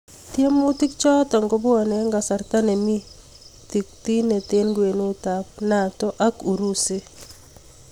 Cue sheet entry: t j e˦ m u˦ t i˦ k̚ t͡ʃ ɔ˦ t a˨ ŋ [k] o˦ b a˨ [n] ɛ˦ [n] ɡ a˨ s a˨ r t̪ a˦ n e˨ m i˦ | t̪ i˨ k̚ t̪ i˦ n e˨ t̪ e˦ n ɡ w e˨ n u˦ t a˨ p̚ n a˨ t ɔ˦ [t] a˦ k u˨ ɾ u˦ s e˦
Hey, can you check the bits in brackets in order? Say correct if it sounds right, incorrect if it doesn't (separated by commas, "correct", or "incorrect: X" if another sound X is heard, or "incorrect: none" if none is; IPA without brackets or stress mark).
incorrect: ɡ, correct, incorrect: ŋ, incorrect: ʔ